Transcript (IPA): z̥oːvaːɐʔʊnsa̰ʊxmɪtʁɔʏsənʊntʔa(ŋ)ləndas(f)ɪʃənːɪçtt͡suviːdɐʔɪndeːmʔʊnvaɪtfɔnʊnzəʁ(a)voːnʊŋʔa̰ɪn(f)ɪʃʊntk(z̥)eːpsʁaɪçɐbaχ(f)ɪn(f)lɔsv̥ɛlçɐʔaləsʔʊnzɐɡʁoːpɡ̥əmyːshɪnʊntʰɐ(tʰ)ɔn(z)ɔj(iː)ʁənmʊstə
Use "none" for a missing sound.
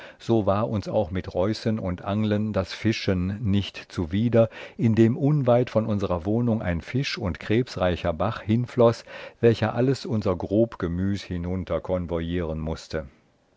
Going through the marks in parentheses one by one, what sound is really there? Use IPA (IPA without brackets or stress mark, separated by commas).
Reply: ŋ, f, ɐ, f, ʁ̥, h, f, kʰ, v, iː